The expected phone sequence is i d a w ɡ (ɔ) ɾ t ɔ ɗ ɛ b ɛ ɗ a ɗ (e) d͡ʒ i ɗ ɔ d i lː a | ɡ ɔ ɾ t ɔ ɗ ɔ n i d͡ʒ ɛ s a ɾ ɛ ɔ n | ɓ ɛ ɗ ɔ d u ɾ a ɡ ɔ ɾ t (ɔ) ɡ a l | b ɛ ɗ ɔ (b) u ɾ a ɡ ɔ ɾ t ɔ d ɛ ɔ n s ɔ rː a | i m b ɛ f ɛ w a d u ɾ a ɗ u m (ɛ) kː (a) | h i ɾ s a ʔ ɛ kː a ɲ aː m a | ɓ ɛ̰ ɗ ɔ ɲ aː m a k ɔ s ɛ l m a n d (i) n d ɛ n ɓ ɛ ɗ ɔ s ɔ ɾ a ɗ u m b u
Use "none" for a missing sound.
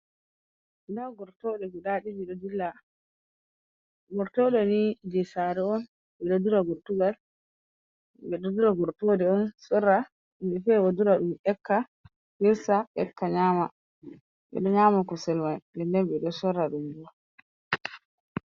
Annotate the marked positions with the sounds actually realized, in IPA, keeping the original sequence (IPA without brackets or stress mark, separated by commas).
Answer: ɔ, i, u, d, ɛ, a, ɛ